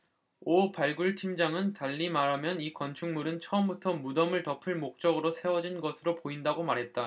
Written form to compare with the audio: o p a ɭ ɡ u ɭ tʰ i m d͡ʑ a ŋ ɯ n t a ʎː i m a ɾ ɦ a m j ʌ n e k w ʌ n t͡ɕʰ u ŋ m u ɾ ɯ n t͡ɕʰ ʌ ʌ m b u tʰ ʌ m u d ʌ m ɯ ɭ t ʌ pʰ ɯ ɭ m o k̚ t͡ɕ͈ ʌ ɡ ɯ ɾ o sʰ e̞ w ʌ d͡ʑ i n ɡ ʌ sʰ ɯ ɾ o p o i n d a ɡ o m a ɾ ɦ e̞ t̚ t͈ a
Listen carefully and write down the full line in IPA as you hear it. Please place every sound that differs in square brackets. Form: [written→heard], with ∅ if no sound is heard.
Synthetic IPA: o p a ɭ ɡ u ɭ tʰ i m d͡ʑ a ŋ ɯ n t a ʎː i m a ɾ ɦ a m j ʌ n [e→i] k w ʌ n t͡ɕʰ u ŋ m u ɾ ɯ n t͡ɕʰ ʌ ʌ m b u tʰ ʌ m u d ʌ m ɯ ɭ t ʌ pʰ ɯ ɭ m o k̚ t͡ɕ͈ ʌ ɡ ɯ ɾ o sʰ e̞ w ʌ d͡ʑ i n ɡ ʌ sʰ ɯ ɾ o p o i n d a ɡ o m a ɾ ɦ e̞ t̚ t͈ a